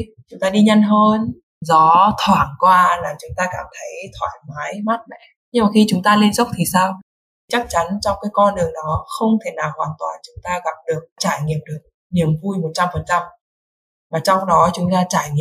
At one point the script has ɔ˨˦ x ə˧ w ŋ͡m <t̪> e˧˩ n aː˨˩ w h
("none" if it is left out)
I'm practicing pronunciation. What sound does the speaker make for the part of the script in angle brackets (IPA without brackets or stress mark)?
t̪ʰ